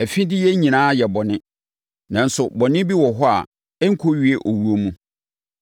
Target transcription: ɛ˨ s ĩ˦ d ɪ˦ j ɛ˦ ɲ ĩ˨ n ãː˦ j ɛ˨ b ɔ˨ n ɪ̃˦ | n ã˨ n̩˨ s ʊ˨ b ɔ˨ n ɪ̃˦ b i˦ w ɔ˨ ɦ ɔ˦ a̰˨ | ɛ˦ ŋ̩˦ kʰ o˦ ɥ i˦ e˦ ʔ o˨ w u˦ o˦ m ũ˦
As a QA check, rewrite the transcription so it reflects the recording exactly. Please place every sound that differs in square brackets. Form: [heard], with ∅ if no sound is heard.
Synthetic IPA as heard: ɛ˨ [f] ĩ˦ d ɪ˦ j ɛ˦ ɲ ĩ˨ n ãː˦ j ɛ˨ b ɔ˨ n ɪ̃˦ | n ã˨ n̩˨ s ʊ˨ b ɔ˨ n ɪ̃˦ b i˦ w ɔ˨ ɦ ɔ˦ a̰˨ | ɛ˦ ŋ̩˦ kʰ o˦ ɥ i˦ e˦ ʔ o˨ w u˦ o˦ m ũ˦